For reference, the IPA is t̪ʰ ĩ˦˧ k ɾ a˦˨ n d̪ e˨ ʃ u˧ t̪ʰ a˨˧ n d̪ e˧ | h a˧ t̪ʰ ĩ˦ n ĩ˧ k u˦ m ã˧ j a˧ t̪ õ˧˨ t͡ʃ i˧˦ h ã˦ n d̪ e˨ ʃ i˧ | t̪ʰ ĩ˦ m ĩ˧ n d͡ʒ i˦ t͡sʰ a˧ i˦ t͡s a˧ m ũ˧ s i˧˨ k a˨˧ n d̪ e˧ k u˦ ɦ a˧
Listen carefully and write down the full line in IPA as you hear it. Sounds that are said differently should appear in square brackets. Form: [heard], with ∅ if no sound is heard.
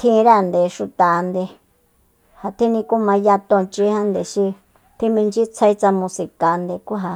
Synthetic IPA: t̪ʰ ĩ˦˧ [∅] ɾ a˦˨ n d̪ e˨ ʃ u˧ [t̪] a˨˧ n d̪ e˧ | h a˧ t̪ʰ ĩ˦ n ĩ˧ k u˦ m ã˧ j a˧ t̪ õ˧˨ t͡ʃ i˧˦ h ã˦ n d̪ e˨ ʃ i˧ | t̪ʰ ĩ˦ m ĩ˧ n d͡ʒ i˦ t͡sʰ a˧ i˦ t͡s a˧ m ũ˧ s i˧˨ k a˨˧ n d̪ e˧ k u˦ ɦ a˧